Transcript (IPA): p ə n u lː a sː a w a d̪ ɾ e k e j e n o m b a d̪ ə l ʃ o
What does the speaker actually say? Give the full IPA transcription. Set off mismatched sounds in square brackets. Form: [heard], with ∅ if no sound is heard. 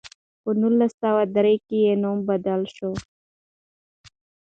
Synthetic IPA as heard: p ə n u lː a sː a w a d̪ ɾ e k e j e n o m b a d̪ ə l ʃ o